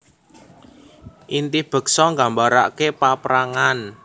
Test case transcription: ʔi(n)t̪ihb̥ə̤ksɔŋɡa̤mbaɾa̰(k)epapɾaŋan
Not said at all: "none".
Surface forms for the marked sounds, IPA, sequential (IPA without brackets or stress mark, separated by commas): n, k